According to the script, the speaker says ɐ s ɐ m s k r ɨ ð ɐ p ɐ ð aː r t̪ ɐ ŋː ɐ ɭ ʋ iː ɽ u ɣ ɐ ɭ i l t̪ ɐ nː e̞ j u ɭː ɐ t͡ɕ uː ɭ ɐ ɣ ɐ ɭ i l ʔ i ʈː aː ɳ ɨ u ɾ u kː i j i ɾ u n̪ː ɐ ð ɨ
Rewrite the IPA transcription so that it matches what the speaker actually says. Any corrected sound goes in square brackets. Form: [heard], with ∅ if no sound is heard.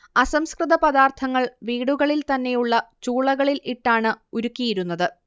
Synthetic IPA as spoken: ɐ s ɐ m s k r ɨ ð ɐ p ɐ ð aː r [t̪ʰ] ɐ ŋː ɐ ɭ ʋ iː ɽ u ɣ ɐ ɭ i l t̪ ɐ nː e̞ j u ɭː ɐ t͡ɕ uː ɭ ɐ ɣ ɐ ɭ i l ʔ i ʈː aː ɳ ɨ u ɾ u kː i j i ɾ u n̪ː ɐ ð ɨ